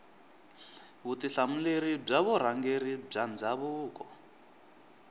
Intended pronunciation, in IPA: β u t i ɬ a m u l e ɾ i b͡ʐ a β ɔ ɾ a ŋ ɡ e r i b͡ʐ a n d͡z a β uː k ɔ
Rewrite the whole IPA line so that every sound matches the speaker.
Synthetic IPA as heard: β u t i ɬ a m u l e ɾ i b͡ʐ a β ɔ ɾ a ŋ ɡ e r i b͡ʐ a n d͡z a β uː k ɔ

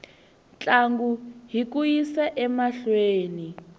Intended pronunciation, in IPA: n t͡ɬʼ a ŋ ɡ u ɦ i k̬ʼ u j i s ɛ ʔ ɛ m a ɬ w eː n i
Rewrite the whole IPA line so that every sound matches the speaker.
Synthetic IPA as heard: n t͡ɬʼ a ŋ ɡ u ɦ i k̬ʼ u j i s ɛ ʔ ɛ m a ɬ w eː n i

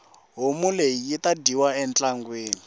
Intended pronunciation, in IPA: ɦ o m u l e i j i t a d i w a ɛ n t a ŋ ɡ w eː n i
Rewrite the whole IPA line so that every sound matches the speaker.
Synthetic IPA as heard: ɦ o m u l e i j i t a d i w a ɛ n t͡ɬ a ŋ ɡ w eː n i

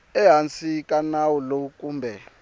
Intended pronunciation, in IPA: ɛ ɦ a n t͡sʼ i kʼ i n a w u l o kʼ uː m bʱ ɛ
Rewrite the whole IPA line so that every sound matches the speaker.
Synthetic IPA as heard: ɛ ɦ a n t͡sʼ i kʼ a n a w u l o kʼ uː m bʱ ɛ

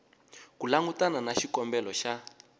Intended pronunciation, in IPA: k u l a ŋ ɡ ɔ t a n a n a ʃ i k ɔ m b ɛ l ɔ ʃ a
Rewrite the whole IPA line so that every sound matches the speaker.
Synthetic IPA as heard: k u l a ŋ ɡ u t a n a n a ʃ i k ɔ m b ɛ l ɔ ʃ a

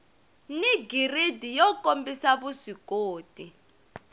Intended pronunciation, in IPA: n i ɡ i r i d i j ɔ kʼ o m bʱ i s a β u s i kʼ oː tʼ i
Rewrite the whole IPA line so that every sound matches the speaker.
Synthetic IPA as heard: n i ɡ i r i d i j ɔ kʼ o m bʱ i s a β u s i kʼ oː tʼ i

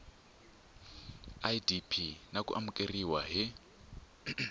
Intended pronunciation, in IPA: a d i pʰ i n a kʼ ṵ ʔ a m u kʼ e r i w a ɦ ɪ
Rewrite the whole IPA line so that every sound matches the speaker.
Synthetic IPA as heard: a d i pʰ i n a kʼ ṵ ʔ a m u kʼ e r i w a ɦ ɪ

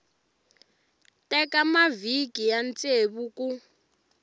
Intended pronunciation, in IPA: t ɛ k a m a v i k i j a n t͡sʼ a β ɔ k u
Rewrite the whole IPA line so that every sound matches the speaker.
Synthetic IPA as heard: t ɛ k a m a v i k i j a n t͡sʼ e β u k u

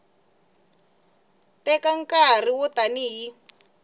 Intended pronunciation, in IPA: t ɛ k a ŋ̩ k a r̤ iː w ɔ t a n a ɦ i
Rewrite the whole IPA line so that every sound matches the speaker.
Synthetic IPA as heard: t ɛ k a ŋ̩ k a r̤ i w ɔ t a n i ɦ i

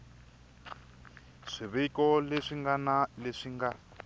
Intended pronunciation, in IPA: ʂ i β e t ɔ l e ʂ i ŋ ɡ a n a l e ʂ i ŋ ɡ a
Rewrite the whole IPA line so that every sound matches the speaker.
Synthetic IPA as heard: ʂ i β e k ɔ l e ʂ i ŋ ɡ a n a l e ʂ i ŋ ɡ a

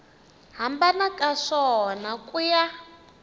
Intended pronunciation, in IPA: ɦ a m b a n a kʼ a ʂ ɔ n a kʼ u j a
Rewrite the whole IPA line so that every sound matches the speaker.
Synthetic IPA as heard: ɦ a m b a n a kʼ a ʂ ɔ n a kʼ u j a

